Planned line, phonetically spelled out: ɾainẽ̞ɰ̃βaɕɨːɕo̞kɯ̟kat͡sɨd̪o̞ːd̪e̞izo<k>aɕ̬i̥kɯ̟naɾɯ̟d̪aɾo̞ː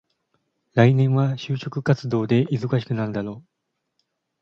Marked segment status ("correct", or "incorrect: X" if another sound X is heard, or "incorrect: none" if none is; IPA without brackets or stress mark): correct